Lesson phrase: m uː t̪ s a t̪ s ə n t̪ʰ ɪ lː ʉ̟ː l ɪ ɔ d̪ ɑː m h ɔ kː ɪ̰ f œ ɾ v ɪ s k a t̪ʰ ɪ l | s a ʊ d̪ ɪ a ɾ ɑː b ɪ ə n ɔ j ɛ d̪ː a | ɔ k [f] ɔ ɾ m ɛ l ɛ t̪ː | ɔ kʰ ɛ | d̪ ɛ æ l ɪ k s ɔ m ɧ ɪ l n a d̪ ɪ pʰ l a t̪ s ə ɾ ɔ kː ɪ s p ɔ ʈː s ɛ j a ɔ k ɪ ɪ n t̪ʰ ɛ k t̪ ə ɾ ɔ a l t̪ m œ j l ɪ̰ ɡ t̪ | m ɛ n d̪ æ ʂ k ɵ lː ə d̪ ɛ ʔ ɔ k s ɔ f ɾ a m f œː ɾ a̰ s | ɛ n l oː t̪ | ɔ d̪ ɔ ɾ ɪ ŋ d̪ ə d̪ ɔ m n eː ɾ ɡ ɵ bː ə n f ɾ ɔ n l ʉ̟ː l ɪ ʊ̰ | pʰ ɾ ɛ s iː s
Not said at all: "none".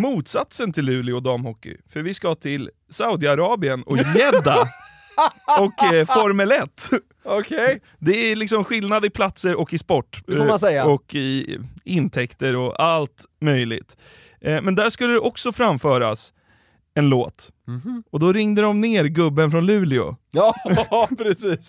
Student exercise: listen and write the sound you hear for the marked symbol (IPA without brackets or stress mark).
f